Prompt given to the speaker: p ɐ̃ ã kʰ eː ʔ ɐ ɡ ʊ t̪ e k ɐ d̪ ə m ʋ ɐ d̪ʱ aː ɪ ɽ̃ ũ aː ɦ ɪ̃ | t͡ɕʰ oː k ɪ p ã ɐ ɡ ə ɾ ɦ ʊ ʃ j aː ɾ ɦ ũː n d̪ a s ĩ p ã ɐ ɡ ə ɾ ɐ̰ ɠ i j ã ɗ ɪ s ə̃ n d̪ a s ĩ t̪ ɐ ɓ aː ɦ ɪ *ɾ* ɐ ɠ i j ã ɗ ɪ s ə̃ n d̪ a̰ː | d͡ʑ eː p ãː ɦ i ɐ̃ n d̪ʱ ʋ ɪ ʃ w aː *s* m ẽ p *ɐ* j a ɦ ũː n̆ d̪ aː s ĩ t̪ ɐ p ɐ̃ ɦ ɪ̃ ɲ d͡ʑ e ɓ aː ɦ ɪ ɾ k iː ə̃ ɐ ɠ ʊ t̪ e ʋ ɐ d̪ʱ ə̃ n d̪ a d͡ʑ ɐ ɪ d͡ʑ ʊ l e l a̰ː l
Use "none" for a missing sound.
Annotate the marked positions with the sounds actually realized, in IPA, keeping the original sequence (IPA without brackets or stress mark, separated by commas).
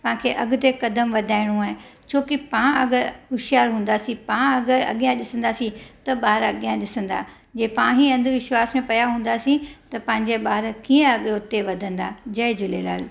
ɾ, s, ɐ